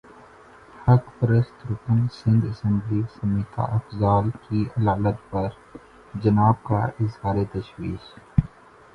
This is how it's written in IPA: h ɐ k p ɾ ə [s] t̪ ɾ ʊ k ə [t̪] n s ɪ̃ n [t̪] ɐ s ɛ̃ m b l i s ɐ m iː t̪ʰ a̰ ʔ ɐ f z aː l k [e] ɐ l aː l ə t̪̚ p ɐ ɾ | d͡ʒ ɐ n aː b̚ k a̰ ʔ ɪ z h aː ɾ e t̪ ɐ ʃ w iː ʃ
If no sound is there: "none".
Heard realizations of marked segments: s, none, d̪, i

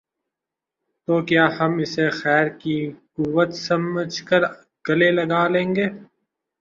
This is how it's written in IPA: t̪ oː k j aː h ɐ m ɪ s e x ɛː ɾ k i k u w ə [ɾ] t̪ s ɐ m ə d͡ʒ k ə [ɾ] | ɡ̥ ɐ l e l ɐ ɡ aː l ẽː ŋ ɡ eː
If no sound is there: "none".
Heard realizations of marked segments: none, ɾ

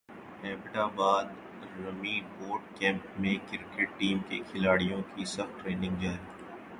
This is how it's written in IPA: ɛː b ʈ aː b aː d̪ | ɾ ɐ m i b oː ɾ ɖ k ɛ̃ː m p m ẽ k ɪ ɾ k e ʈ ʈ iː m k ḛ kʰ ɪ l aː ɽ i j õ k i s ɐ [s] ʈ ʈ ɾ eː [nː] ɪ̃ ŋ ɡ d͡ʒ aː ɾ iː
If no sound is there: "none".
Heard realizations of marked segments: x, n

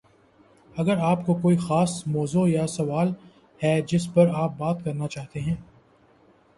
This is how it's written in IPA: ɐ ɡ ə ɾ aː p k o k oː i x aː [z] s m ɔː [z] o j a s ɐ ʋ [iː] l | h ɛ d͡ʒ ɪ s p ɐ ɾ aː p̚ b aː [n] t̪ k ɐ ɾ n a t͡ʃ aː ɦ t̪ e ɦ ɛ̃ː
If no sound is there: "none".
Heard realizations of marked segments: none, z, aː, none

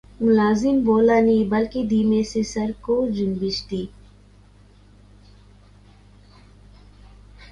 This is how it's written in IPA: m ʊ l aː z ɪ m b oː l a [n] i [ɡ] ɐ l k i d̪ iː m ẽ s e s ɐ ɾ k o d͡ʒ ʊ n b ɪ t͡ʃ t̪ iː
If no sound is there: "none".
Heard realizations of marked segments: n, b

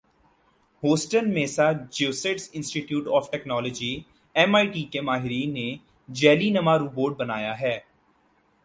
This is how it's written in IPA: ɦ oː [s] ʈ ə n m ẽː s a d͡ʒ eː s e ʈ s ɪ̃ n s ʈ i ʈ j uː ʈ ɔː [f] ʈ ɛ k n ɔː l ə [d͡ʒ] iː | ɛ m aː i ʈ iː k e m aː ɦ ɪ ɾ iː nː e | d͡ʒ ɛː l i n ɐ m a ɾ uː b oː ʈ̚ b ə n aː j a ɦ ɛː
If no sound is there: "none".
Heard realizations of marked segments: s, f, d͡ʒ

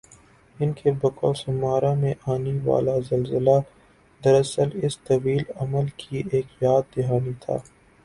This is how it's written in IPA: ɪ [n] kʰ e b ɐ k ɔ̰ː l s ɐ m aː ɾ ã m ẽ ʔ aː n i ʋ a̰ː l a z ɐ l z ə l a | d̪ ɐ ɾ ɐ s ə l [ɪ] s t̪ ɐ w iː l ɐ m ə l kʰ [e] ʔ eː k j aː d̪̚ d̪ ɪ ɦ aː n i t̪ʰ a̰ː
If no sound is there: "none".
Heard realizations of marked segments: n, ɪ, i

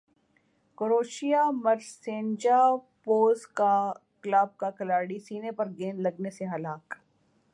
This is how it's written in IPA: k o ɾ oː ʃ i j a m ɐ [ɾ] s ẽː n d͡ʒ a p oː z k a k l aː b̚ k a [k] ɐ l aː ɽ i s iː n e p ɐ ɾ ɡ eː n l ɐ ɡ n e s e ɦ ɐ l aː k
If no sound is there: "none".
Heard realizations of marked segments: ɾ, k

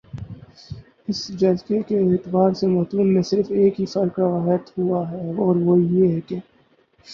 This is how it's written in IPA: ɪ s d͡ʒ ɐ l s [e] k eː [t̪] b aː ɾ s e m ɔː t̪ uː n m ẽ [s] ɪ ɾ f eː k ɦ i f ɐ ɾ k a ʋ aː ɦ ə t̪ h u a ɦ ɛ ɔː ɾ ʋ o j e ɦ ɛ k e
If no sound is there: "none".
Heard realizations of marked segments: e, t̪, s

